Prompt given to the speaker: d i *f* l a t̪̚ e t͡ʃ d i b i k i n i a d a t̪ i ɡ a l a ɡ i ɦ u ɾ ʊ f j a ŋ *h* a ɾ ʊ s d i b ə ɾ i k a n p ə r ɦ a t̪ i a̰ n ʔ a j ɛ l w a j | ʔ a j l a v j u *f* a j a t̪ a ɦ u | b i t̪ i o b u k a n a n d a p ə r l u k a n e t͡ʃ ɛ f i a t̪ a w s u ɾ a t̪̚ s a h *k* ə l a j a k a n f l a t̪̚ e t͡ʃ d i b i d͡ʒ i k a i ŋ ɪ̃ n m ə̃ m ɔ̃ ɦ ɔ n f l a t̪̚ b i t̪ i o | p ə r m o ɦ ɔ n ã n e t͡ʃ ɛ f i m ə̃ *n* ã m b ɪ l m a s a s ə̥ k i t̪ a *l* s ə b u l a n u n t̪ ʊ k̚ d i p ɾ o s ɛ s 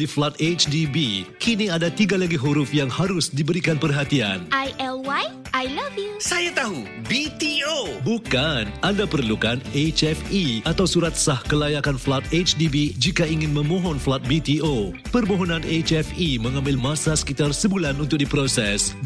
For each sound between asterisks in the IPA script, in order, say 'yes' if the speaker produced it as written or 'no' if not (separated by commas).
yes, yes, no, yes, no, no